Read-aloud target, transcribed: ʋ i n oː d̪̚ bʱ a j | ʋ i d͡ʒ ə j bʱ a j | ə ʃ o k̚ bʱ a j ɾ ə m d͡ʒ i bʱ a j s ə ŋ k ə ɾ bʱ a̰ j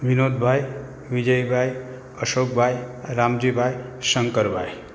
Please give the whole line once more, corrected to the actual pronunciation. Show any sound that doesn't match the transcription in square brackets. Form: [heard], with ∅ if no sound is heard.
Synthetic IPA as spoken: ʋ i n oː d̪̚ bʱ a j | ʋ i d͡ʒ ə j bʱ a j | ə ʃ o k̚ bʱ a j ɾ [a] m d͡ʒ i bʱ a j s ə ŋ k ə ɾ bʱ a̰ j